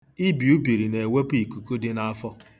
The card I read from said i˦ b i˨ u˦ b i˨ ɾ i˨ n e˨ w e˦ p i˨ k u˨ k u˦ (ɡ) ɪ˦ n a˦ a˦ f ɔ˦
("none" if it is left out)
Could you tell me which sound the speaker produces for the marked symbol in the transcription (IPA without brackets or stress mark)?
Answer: d